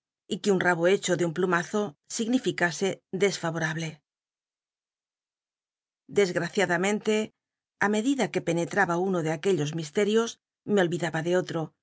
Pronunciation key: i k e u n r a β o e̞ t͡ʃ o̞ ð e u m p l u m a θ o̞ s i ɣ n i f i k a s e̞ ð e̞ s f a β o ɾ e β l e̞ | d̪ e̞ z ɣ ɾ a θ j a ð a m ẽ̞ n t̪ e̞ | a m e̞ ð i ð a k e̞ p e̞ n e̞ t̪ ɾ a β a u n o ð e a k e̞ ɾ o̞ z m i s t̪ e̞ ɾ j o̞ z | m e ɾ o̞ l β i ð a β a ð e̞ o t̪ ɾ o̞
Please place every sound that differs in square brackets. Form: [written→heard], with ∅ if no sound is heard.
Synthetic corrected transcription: i k e u n r a β o e̞ t͡ʃ o̞ ð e u m p l u m a θ o̞ s i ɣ n i f i k a s e̞ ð e̞ s f a β o ɾ [e→a] β l e̞ | d̪ e̞ z ɣ ɾ a θ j a ð a m ẽ̞ n t̪ e̞ | a m e̞ ð i ð a k e̞ p e̞ n e̞ t̪ ɾ a β a u n o ð e a k e̞ [ɾ→ʎ] o̞ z m i s t̪ e̞ ɾ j o̞ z | m e [ɾ→∅] o̞ l β i ð a β a ð e̞ o t̪ ɾ o̞